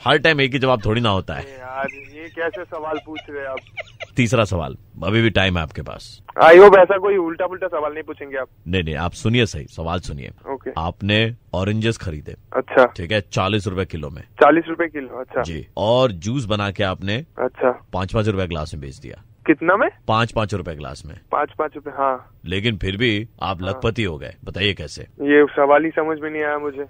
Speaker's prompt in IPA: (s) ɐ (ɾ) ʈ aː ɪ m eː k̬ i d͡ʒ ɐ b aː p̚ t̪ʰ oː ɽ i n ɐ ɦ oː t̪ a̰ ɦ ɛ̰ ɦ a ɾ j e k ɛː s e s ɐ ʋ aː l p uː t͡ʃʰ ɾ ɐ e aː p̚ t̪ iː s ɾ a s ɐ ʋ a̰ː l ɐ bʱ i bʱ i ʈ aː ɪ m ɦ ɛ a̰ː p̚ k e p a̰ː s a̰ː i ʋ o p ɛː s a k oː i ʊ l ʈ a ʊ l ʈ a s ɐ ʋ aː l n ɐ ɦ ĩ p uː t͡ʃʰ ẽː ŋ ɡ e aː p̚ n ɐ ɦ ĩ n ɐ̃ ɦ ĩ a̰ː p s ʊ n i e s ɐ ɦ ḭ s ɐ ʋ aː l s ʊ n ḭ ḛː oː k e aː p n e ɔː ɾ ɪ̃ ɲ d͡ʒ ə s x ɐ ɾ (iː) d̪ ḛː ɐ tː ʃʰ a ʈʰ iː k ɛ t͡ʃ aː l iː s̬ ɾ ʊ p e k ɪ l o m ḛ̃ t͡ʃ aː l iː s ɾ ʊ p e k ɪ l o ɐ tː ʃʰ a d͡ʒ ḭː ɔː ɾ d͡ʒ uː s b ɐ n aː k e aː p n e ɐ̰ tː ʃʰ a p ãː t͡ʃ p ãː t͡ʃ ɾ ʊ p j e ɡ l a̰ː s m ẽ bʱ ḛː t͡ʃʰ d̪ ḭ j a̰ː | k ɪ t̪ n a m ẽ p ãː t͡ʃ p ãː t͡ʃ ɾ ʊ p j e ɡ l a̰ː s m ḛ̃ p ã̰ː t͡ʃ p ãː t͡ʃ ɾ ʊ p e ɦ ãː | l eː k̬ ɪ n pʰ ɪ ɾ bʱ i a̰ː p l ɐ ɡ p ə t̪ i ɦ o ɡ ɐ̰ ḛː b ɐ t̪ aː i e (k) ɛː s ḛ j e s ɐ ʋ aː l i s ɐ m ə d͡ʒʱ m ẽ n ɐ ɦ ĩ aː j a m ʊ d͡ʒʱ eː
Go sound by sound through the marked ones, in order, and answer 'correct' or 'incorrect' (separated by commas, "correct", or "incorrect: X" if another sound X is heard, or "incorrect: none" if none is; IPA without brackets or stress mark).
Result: incorrect: h, correct, correct, correct